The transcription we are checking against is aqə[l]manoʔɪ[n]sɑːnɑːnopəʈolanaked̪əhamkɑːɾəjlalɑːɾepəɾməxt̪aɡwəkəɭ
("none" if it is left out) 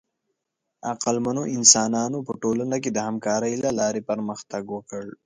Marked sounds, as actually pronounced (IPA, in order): l, n

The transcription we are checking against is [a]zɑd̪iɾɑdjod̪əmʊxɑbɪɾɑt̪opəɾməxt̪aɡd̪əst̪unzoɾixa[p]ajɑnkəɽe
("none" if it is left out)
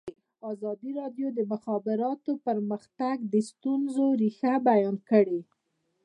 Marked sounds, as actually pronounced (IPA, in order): ɑ, b

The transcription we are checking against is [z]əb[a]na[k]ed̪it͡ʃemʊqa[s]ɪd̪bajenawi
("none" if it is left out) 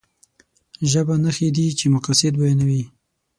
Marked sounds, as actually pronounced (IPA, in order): ʒ, a, x, s

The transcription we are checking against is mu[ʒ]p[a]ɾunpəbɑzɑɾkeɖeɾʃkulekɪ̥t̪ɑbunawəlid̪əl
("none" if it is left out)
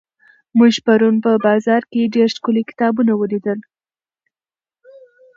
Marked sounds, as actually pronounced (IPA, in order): ʒ, a

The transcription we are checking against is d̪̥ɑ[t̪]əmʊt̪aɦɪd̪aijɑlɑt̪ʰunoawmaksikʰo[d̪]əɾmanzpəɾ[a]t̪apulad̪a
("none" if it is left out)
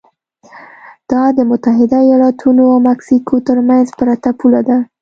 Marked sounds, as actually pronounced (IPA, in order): d̪, t̪, a

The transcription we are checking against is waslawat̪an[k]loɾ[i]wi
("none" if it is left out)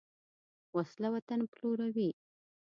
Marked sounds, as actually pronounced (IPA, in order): p, a

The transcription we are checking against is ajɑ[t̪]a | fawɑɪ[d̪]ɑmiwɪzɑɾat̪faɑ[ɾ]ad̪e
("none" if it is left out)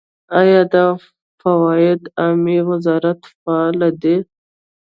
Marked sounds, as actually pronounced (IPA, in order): d̪, d̪, l

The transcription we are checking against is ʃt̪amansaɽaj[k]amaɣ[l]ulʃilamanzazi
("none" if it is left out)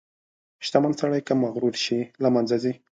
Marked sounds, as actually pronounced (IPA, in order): k, ɾ

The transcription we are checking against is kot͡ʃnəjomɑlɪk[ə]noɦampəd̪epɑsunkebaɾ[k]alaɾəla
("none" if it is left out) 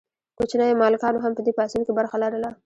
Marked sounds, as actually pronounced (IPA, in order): ɑ, x

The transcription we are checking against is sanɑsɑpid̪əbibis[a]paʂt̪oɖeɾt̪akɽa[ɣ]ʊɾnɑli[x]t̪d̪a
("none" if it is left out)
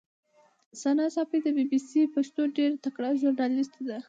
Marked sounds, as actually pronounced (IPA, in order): i, ʒ, s

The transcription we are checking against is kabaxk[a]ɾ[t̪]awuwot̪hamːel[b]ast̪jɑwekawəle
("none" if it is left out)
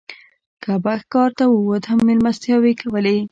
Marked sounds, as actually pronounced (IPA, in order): ɑ, t̪, m

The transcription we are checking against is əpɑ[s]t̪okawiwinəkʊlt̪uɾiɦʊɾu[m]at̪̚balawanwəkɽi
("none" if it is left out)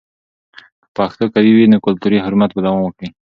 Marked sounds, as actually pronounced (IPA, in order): x, m

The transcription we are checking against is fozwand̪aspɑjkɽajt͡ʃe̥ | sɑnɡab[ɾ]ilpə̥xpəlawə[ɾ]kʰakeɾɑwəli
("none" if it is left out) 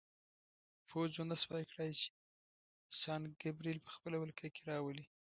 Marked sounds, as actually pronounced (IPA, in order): ɾ, l

